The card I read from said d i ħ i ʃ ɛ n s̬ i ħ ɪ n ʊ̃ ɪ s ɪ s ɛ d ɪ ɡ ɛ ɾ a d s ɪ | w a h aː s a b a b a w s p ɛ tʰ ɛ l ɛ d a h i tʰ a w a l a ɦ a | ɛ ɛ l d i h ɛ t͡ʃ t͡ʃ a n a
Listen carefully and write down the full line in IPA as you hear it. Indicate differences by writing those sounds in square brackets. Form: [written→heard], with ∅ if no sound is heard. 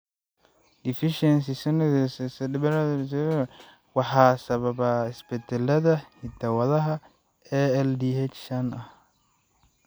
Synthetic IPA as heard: d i [ħ→f] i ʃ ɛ n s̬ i [ħ→s] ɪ n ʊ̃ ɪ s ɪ s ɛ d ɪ [ɡ→b] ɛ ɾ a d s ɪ | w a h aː s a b a b a [w→∅] s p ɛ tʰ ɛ l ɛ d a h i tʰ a w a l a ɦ a | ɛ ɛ l d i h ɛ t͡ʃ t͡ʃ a n a

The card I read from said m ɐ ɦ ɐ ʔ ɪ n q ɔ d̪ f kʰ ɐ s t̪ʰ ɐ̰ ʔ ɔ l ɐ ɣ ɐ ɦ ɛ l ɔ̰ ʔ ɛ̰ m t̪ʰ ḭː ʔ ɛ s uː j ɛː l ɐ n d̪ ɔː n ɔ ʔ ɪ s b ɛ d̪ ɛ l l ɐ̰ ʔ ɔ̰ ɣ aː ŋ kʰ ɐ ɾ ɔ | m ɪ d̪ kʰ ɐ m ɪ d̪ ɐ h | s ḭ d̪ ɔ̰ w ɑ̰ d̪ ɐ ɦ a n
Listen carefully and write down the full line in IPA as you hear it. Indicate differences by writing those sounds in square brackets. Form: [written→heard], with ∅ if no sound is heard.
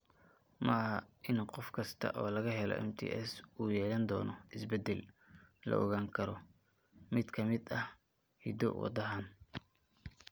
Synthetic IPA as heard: m ɐ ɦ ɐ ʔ ɪ n q ɔ [d̪→∅] f kʰ ɐ s t̪ʰ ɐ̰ ʔ [ɔ→ɔː] l ɐ ɣ ɐ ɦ ɛ l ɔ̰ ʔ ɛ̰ m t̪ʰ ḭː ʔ ɛ s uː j ɛː l ɐ n d̪ ɔː n ɔ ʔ ɪ s b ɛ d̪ ɛ l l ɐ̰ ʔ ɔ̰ ɣ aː ŋ kʰ ɐ ɾ ɔ | m ɪ d̪ kʰ ɐ m ɪ d̪ ɐ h | [s→h] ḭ d̪ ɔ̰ w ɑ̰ d̪ ɐ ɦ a n

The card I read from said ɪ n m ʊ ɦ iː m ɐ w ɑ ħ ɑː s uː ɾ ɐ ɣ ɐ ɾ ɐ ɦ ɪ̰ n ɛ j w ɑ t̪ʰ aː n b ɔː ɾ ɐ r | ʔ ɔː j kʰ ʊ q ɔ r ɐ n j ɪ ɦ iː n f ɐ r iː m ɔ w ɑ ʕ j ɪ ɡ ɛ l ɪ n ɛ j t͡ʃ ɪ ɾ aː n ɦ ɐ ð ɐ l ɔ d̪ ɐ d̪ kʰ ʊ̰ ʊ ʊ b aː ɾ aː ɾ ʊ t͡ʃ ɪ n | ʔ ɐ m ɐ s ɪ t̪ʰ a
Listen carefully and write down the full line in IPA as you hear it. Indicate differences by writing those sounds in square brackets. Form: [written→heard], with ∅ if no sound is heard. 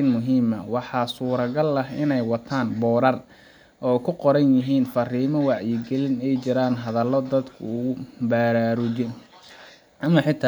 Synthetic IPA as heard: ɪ n m ʊ ɦ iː m ɐ w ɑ ħ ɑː s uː ɾ ɐ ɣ ɐ [ɾ→l] ɐ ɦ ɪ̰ n ɛ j w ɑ t̪ʰ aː n b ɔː ɾ ɐ r | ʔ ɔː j kʰ ʊ q ɔ [r→ɾ] ɐ n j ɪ ɦ iː n f ɐ r iː m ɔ w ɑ ʕ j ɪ ɡ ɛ l ɪ n ɛ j t͡ʃ ɪ ɾ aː n ɦ ɐ ð ɐ l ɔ d̪ ɐ d̪ kʰ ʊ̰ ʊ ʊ b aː ɾ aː ɾ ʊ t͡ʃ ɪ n | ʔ ɐ m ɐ [s→ħ] ɪ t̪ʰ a

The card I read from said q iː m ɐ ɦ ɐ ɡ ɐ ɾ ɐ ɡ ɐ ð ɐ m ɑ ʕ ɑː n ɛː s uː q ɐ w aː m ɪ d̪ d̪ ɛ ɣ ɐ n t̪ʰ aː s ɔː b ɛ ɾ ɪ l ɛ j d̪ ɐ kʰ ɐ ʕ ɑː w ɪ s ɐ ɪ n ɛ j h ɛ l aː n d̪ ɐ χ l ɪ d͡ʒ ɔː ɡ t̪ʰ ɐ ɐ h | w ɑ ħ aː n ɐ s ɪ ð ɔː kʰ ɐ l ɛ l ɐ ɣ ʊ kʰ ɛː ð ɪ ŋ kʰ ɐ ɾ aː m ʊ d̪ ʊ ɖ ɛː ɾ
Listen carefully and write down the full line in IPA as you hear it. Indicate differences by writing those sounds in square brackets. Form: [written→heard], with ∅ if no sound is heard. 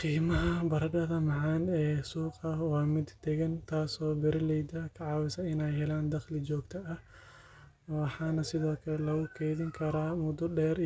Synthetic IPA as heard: q iː m ɐ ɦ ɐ [ɡ→b] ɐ ɾ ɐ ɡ ɐ ð ɐ m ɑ ʕ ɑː n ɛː s uː q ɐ w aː m ɪ d̪ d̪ ɛ ɣ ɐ n t̪ʰ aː s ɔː b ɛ ɾ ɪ l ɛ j d̪ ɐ kʰ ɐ ʕ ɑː w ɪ s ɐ ɪ n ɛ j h ɛ l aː n d̪ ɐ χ l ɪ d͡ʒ ɔː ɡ t̪ʰ ɐ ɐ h | w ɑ ħ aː n ɐ s ɪ ð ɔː kʰ ɐ l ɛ l ɐ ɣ ʊ kʰ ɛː ð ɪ ŋ kʰ ɐ ɾ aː m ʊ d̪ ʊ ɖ ɛː ɾ

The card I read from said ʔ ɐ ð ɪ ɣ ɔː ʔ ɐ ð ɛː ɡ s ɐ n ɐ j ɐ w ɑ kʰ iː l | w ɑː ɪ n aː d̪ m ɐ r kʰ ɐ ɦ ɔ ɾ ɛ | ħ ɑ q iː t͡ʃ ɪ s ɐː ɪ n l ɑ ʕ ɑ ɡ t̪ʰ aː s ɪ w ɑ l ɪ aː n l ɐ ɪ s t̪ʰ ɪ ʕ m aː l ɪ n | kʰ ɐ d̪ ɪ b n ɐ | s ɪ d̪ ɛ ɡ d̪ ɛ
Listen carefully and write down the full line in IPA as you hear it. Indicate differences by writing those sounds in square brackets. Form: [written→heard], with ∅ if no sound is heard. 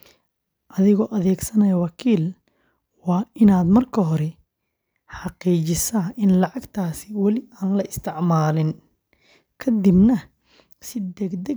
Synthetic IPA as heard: ʔ ɐ ð ɪ ɣ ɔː ʔ ɐ ð ɛː ɡ s ɐ n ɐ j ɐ w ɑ kʰ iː l | w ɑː ɪ n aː d̪ m ɐ r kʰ ɐ ɦ ɔ ɾ ɛ | ħ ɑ q iː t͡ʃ ɪ s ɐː ɪ n l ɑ ʕ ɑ ɡ t̪ʰ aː s ɪ w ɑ l ɪ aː n l ɐ ɪ s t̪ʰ ɪ ʕ m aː l ɪ n | kʰ ɐ d̪ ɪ b n ɐ | s ɪ d̪ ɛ ɡ d̪ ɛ

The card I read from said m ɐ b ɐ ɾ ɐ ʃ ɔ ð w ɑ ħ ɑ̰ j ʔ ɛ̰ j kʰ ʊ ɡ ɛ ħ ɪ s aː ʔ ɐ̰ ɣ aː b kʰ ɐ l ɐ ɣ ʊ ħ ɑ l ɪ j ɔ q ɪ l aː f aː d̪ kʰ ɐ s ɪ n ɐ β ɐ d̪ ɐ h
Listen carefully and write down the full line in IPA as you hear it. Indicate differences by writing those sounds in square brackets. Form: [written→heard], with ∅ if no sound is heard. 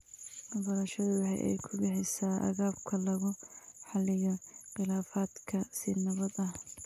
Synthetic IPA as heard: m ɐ b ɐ ɾ ɐ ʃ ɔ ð w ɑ ħ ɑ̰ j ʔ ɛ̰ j kʰ ʊ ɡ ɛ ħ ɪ s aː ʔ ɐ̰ ɣ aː b kʰ ɐ l ɐ ɣ ʊ ħ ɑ l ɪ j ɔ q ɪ l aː f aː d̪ kʰ ɐ s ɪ n ɐ β ɐ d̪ ɐ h

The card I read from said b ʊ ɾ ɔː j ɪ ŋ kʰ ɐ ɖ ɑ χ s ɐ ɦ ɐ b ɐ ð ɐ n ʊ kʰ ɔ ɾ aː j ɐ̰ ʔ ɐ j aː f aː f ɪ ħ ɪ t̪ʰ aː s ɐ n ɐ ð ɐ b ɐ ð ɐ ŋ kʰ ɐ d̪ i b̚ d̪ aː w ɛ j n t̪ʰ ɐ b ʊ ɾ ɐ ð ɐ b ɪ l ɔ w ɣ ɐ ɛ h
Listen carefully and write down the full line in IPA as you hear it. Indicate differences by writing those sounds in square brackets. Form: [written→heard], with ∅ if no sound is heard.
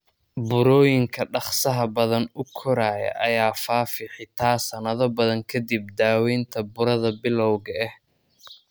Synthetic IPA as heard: b ʊ ɾ ɔː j ɪ ŋ kʰ ɐ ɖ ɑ χ s ɐ ɦ ɐ b ɐ ð ɐ n ʊ kʰ ɔ ɾ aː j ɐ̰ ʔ ɐ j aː f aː f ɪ ħ ɪ t̪ʰ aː s ɐ n ɐ ð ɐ b ɐ ð ɐ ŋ kʰ ɐ d̪ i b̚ d̪ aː w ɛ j n t̪ʰ ɐ b ʊ ɾ ɐ ð ɐ b ɪ l ɔ w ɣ ɐ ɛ h

